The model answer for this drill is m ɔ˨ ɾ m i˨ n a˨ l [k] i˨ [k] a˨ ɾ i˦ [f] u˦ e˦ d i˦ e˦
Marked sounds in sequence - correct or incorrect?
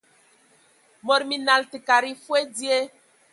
incorrect: t, correct, correct

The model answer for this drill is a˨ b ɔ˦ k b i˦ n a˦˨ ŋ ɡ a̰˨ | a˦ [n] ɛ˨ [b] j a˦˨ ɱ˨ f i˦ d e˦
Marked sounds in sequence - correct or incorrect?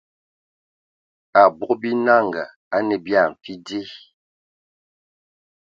correct, correct

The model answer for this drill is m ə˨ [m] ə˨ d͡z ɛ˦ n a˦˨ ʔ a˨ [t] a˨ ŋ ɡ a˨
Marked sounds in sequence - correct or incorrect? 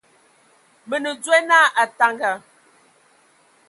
incorrect: n, correct

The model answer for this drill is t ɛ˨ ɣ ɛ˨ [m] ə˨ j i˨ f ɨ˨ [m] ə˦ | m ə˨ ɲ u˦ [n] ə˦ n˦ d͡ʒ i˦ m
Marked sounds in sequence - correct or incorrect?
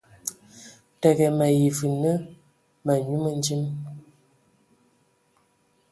correct, incorrect: n, incorrect: m

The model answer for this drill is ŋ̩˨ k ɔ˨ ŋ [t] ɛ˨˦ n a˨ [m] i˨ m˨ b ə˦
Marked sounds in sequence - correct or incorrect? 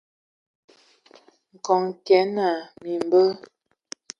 incorrect: k, correct

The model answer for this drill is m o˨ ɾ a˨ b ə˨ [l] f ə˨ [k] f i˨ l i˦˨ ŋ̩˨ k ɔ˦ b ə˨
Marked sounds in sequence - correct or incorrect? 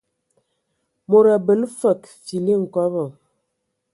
correct, correct

